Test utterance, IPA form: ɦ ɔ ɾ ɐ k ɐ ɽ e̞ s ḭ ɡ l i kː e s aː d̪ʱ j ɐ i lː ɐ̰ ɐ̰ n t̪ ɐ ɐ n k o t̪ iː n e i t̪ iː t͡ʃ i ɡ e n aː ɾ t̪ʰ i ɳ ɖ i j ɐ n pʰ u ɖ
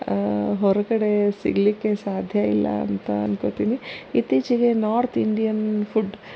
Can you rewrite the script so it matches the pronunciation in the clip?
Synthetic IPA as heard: ɦ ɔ ɾ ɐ k ɐ ɽ e̞ s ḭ ɡ l i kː e s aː d̪ʱ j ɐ i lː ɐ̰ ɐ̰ n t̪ ɐ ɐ n k o t̪ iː n i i t̪ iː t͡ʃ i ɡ e n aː ɾ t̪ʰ i ɳ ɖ i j ɐ n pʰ u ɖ